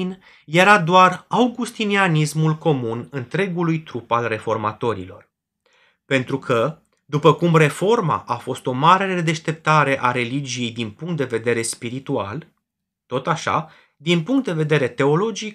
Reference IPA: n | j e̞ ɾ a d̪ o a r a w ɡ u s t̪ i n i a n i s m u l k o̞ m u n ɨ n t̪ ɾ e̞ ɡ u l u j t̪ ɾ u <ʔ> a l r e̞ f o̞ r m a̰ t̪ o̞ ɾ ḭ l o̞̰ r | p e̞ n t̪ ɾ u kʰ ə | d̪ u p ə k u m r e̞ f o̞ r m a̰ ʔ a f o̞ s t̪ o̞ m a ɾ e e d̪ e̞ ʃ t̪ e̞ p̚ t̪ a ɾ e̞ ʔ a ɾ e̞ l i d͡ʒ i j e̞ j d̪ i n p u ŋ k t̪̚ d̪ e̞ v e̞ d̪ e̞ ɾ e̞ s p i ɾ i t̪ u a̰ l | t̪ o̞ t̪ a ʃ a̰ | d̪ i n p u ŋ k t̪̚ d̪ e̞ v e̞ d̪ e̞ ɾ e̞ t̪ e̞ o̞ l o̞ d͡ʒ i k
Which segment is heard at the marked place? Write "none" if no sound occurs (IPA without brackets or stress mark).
p